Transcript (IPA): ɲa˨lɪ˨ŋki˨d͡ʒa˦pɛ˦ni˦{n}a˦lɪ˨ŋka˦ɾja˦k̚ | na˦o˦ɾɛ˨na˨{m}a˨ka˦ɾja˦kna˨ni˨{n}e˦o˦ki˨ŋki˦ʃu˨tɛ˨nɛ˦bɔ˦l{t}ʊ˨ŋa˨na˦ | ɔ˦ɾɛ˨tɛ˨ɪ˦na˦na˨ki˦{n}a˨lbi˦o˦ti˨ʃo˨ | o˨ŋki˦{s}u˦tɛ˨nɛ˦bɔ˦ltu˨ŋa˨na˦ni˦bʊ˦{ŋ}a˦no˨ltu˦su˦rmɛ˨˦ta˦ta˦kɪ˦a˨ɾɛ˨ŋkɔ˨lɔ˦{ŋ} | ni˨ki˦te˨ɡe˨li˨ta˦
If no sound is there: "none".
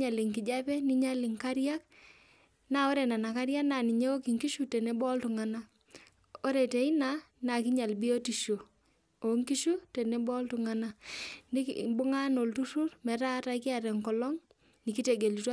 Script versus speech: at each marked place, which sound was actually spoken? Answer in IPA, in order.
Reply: ɲ, n, ɲ, t, ɲ, ʃ, ŋ, ŋ

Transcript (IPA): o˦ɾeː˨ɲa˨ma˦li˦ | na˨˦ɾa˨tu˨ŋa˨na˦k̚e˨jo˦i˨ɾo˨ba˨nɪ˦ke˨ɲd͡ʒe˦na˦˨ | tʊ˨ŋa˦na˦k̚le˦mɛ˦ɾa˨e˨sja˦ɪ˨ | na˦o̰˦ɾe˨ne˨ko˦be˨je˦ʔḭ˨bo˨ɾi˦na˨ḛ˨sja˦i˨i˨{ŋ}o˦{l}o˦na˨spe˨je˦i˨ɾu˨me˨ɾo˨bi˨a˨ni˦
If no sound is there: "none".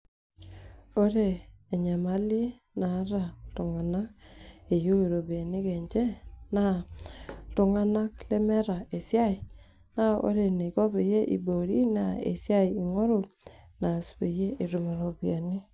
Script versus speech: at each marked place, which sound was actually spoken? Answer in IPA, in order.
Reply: ŋ, ɾ

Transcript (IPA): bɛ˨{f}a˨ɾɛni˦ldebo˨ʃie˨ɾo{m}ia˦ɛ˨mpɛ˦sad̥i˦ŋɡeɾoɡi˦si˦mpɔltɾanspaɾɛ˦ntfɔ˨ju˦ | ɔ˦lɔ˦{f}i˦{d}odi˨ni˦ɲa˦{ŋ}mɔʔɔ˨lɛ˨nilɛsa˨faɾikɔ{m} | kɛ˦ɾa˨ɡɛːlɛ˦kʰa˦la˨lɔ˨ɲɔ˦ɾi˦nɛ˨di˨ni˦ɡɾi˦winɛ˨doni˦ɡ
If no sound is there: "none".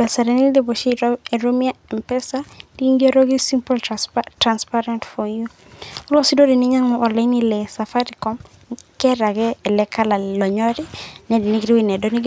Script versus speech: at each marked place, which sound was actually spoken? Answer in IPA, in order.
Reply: s, m, s, d, ŋ, m

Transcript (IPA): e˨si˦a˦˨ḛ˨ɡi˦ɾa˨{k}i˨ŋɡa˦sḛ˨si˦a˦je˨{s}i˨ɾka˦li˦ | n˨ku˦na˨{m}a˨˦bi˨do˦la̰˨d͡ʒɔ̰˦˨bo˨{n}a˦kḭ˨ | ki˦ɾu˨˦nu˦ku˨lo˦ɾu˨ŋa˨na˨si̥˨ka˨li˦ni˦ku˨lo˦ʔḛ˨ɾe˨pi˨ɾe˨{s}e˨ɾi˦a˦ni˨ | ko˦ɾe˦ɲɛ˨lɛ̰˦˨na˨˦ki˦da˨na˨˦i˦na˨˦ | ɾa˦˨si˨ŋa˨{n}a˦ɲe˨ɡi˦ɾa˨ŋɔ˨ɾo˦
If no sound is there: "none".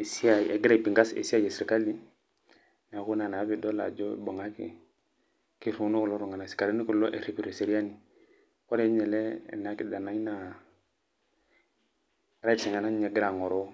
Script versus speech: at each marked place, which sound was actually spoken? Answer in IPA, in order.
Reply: p, s, n, ŋ, s, n

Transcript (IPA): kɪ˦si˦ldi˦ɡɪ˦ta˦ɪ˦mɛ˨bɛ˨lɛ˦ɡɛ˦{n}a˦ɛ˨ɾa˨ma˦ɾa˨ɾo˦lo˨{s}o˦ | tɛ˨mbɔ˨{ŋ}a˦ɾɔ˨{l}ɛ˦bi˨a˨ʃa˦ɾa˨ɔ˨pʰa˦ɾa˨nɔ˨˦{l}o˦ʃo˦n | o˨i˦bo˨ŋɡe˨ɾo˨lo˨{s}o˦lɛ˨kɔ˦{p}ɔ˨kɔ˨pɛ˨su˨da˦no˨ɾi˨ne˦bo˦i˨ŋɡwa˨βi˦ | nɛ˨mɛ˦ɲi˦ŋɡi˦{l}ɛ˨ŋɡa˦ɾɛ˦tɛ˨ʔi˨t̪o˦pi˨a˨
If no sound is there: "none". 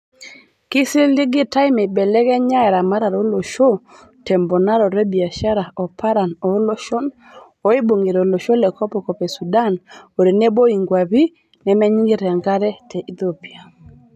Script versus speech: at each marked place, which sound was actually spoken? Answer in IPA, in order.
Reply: ɲ, ʃ, n, ɾ, l, ʃ, p, ɾ

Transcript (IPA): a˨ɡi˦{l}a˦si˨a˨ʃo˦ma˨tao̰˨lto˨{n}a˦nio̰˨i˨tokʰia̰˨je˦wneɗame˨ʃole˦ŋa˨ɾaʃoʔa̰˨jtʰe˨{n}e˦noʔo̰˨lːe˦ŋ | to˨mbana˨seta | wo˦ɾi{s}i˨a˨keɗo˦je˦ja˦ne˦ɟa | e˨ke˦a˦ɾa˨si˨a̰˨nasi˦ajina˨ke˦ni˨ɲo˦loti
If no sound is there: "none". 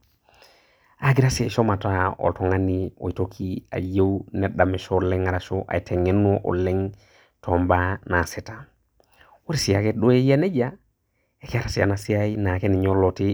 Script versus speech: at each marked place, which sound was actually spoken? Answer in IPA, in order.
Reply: ɾ, ŋ, ŋ, s

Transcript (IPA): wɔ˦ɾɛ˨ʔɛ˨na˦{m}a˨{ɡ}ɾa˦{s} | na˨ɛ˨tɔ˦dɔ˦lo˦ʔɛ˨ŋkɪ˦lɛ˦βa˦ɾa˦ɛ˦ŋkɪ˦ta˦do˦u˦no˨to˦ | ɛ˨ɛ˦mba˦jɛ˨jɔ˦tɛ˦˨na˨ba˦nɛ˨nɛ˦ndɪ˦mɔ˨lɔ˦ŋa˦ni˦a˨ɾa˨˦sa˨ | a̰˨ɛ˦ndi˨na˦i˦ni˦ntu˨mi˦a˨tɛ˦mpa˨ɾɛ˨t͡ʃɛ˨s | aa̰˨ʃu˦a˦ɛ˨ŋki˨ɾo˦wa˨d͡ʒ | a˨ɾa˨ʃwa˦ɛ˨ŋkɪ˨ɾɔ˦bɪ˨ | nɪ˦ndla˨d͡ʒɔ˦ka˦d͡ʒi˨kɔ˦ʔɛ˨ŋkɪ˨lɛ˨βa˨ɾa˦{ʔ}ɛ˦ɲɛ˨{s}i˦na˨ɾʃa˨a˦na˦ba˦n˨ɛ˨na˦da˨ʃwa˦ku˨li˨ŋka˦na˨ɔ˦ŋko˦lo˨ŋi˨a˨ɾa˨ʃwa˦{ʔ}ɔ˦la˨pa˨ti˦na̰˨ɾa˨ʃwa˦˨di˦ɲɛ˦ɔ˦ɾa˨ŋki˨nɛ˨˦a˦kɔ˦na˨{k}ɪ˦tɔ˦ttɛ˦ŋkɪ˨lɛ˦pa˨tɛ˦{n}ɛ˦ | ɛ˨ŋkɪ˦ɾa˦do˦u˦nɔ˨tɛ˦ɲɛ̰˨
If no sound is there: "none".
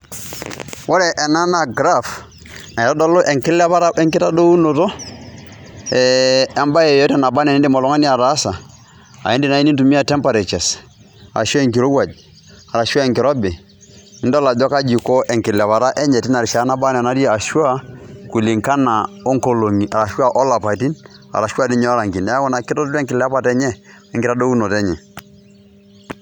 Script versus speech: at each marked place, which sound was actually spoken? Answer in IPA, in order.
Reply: n, ɡ, f, ʔ, t, ʔ, k, ɲ

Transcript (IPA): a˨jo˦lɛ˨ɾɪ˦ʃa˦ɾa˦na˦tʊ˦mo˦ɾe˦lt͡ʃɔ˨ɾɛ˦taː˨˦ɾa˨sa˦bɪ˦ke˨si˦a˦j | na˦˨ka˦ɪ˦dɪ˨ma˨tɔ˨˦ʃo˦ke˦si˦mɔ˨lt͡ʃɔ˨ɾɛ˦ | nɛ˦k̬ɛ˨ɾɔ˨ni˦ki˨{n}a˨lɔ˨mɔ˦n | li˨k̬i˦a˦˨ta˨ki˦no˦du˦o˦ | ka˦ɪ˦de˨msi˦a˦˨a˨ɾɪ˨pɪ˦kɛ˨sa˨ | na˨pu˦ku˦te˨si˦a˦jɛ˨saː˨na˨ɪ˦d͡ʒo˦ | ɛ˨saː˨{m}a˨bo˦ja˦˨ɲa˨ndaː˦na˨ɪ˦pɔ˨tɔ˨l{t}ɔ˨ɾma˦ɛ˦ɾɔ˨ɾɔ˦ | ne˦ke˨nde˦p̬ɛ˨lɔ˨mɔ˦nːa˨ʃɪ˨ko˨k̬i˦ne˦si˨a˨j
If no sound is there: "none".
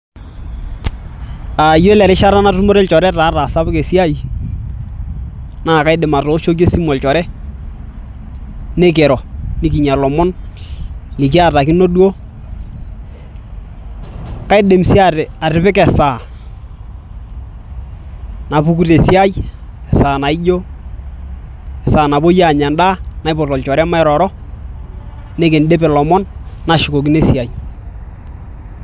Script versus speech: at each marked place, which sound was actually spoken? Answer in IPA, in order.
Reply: ɲ, n, t͡ʃ

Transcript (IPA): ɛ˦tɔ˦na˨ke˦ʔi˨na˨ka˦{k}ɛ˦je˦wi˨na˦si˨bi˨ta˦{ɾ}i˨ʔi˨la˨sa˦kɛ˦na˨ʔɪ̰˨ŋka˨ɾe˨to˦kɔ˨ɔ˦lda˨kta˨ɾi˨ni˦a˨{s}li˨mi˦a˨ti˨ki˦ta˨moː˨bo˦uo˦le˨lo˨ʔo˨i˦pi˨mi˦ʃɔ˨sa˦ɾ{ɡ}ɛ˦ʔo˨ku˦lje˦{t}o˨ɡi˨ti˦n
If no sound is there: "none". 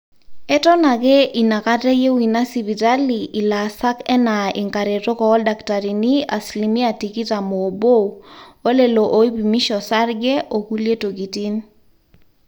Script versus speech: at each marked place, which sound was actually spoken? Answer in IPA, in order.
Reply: t, l, s, ɡ, t

